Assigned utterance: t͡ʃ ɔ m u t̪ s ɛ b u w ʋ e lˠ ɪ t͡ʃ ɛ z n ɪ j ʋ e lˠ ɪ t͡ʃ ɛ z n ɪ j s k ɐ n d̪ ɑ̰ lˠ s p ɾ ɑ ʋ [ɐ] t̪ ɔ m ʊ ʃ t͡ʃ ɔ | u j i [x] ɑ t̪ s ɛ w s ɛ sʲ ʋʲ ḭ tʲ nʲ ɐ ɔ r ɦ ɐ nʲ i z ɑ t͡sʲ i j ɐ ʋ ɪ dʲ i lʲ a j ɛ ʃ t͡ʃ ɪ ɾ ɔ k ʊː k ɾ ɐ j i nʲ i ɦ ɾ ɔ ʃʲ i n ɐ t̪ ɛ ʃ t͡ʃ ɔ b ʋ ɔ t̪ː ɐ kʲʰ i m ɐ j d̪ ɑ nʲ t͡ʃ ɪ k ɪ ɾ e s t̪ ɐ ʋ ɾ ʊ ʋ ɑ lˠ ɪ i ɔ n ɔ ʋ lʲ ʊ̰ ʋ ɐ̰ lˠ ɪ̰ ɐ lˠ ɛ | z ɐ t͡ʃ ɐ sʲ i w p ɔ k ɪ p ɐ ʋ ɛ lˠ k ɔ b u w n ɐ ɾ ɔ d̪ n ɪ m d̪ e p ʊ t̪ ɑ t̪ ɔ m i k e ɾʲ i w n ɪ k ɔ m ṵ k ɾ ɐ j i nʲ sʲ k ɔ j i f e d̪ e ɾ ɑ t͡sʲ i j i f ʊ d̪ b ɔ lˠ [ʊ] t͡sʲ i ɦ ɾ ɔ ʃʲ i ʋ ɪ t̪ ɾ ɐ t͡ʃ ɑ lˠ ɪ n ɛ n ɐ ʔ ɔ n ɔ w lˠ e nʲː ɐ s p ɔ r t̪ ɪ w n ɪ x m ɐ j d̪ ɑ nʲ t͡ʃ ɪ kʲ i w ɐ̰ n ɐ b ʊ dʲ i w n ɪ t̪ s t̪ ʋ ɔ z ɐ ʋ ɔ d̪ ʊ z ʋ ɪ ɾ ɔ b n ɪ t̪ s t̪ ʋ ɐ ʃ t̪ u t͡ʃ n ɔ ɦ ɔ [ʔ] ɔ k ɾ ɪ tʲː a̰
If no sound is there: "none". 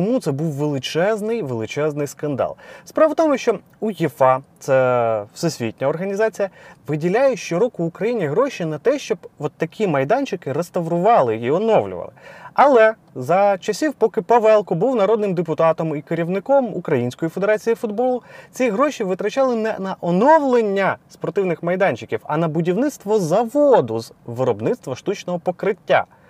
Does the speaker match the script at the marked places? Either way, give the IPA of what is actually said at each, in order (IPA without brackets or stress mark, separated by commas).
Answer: ɐ, f, ʊ, p